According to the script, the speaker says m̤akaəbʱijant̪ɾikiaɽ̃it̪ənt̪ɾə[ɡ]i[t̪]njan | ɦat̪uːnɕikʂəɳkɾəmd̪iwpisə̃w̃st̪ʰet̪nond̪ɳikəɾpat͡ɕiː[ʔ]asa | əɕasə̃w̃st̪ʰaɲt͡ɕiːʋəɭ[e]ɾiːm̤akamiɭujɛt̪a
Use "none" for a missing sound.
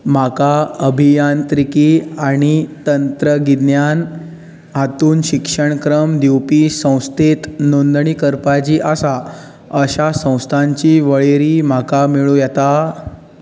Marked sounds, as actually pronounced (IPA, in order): ɡ, d̪, ʔ, e

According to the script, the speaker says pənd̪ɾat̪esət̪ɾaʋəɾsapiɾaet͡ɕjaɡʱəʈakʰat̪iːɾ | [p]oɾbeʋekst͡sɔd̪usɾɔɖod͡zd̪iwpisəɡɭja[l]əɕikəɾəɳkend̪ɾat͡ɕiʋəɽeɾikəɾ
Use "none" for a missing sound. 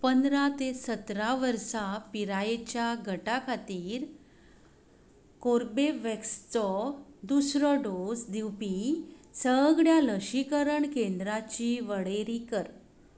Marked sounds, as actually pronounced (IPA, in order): k, l

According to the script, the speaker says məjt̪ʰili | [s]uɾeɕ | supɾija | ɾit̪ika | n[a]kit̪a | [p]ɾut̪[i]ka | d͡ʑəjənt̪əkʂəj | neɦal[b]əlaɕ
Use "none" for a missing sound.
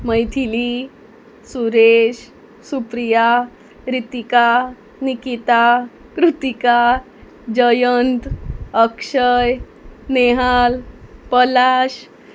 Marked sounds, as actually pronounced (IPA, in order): s, i, k, i, p

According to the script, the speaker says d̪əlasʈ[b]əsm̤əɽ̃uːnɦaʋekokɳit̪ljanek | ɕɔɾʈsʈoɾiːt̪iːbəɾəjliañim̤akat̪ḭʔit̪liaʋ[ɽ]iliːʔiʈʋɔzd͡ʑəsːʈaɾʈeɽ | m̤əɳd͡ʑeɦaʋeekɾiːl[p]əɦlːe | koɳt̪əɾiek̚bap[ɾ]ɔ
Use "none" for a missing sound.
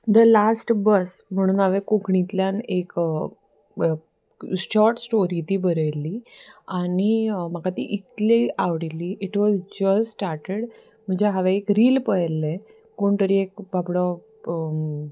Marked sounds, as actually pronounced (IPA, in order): b, ɽ, p, ɽ

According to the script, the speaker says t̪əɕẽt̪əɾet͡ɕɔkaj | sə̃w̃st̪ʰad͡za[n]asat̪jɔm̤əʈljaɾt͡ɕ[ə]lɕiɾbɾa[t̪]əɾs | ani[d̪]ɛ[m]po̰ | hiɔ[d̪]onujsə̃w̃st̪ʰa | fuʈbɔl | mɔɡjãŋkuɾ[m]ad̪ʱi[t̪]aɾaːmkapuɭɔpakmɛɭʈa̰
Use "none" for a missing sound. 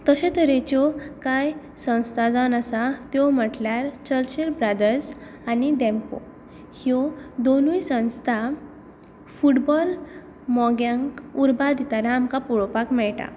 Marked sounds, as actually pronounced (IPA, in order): n, ə, d̪, d̪, m, d̪, b, t̪

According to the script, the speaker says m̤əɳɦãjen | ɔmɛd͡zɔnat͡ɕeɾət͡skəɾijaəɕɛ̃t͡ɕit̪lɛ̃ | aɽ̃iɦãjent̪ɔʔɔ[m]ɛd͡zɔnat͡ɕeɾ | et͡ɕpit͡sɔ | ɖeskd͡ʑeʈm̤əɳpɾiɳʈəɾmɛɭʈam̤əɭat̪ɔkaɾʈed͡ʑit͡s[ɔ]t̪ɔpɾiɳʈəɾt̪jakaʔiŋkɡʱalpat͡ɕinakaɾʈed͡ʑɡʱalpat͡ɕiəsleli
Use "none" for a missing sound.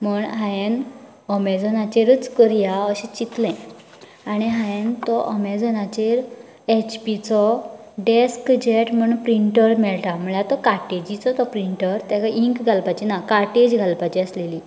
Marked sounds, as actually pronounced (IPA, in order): m, ɔ

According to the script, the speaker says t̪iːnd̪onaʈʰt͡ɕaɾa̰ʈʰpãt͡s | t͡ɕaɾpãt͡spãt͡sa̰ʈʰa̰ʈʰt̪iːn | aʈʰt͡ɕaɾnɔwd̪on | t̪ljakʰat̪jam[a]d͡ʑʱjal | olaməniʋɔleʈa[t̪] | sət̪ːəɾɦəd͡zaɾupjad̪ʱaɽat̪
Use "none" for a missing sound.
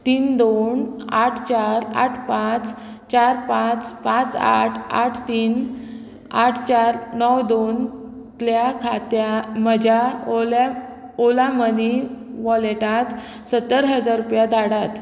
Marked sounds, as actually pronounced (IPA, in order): ə, t̪

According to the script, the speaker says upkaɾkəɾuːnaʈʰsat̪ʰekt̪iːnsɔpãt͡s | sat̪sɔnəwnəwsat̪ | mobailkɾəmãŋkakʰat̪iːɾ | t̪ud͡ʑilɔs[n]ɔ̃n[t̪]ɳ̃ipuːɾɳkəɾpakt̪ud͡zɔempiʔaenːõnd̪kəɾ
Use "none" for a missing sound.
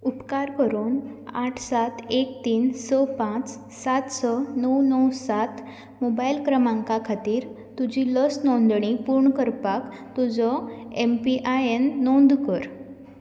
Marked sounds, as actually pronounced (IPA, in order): n, d̪

